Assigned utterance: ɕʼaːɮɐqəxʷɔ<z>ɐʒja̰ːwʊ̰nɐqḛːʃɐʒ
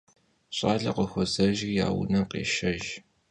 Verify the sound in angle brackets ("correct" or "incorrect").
correct